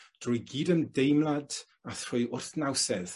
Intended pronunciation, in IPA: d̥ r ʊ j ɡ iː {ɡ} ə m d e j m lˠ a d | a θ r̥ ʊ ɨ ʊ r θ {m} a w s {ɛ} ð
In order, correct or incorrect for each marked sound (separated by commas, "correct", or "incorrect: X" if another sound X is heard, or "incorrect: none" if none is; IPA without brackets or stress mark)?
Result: incorrect: d, incorrect: n, correct